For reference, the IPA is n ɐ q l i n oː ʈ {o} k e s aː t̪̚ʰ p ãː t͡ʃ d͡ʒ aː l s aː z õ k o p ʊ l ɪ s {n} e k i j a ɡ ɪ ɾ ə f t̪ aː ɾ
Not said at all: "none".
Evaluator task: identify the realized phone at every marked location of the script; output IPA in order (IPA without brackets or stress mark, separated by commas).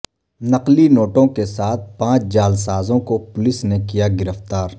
õ, n